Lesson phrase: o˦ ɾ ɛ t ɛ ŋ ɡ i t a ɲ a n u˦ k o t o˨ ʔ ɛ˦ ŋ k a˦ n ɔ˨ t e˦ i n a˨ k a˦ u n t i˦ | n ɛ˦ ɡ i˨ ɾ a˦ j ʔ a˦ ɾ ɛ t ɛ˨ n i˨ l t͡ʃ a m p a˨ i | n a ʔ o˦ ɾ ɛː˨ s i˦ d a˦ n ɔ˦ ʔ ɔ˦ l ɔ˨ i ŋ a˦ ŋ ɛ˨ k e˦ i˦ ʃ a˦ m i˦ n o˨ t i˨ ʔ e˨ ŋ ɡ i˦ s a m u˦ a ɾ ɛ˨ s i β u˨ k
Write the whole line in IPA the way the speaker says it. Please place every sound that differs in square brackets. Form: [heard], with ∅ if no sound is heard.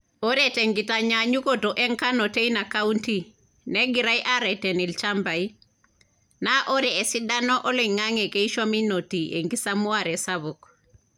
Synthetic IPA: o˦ ɾ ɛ t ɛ ŋ ɡ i t a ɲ a [ɲ] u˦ k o t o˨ ʔ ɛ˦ ŋ k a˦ n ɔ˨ t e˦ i n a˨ k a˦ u n t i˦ | n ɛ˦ ɡ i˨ ɾ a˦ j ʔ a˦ ɾ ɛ t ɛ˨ n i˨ l t͡ʃ a m [b] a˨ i | n a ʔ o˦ ɾ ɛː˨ s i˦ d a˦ n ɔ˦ ʔ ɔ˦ l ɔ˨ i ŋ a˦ ŋ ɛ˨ k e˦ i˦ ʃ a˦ m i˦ n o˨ t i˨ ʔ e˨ ŋ ɡ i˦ s a m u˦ a ɾ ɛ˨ s [a] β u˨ k